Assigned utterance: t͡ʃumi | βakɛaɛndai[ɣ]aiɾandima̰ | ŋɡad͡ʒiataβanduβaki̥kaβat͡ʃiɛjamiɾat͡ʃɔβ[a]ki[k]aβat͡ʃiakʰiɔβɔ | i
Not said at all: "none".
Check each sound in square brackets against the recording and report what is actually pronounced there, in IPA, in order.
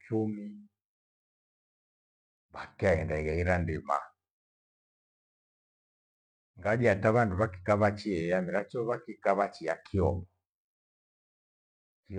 ɣ, a, k

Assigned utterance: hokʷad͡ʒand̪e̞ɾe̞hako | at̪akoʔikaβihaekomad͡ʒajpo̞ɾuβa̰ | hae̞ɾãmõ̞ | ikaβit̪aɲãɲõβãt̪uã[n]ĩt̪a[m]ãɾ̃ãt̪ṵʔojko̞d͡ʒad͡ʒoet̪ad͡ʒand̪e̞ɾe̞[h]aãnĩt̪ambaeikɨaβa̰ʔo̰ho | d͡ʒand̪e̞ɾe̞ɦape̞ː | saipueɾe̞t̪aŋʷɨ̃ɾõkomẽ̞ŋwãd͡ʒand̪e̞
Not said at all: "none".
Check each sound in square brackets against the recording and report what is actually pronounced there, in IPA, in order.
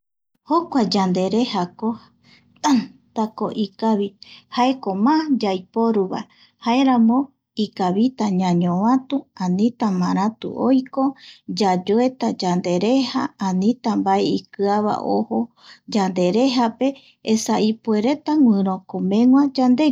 n, m, h

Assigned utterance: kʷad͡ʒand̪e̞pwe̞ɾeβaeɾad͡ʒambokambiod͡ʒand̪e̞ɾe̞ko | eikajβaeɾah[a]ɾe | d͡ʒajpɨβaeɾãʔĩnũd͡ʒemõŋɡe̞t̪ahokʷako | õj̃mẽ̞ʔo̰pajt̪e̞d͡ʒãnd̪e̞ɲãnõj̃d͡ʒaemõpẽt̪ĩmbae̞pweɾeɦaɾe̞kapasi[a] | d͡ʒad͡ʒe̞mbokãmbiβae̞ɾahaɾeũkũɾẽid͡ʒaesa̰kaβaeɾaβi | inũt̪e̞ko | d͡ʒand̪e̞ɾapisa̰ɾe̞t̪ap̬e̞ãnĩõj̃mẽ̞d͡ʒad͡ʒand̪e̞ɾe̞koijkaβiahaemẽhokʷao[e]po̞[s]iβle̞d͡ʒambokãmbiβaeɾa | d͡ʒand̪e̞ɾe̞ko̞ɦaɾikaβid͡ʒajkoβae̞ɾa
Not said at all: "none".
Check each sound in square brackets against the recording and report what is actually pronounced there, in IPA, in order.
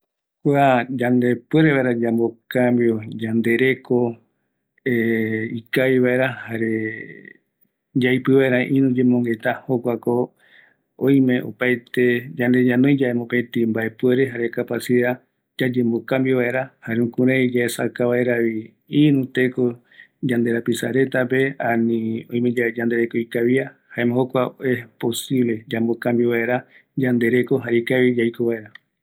a, a, e, s

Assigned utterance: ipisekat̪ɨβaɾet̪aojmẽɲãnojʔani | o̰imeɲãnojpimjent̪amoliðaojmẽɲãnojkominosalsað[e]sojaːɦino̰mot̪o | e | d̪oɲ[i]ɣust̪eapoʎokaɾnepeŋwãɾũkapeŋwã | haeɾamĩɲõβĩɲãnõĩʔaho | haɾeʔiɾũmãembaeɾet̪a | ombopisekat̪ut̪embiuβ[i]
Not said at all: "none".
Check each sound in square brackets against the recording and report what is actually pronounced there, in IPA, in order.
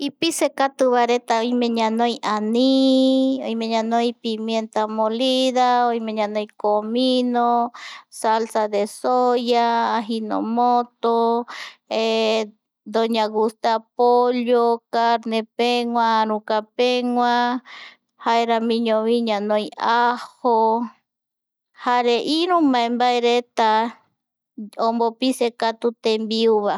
e, a, a

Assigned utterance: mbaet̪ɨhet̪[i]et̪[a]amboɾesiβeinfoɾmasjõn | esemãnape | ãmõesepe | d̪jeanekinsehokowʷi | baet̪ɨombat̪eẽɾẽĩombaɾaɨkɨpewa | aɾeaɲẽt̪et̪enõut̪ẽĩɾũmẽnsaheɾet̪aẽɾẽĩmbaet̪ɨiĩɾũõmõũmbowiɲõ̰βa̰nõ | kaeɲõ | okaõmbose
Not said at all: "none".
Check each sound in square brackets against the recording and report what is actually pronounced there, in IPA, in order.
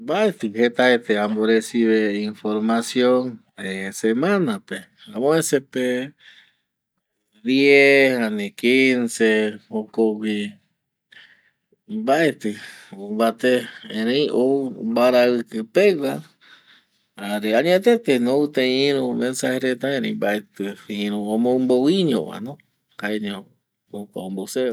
a, e

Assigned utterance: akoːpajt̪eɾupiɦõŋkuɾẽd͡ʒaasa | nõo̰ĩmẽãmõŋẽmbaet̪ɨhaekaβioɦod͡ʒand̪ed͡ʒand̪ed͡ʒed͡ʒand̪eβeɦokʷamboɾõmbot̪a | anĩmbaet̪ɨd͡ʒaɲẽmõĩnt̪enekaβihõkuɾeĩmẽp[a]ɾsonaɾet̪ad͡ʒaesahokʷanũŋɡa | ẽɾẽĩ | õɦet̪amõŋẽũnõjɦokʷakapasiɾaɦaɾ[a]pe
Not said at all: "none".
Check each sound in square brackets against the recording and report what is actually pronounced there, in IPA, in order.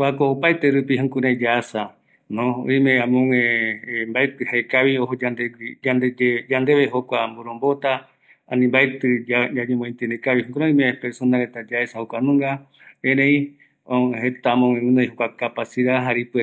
e, i

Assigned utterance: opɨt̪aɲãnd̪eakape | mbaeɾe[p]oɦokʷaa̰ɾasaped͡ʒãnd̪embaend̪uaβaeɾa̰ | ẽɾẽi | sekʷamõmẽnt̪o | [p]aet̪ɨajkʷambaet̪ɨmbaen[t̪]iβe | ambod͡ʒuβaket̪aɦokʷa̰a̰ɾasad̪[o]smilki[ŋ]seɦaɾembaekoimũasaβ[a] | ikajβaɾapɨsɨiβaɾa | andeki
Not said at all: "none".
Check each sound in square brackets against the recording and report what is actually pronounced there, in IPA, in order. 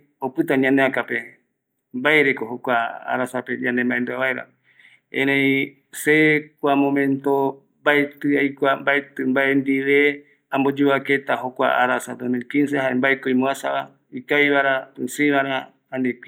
k, b, d̪, o, n, a

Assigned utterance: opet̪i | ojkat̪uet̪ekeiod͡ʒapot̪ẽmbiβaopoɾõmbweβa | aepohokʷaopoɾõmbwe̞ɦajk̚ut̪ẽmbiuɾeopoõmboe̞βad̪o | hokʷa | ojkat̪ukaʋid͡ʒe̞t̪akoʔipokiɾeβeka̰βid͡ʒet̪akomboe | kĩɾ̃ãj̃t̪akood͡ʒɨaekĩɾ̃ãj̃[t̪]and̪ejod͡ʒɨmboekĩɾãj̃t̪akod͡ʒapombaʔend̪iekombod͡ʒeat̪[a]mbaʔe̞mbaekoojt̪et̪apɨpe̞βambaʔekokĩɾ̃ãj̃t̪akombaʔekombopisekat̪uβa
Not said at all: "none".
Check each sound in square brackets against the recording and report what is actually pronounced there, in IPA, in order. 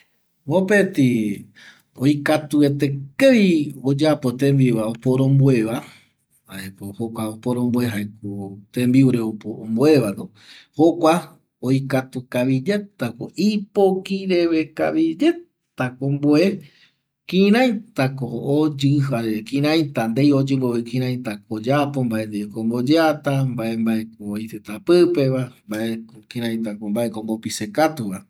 t̪, a

